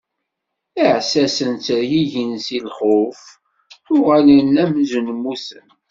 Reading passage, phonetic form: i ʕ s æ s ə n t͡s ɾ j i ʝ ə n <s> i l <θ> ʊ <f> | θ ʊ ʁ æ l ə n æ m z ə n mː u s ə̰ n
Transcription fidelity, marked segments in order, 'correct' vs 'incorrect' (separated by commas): correct, incorrect, correct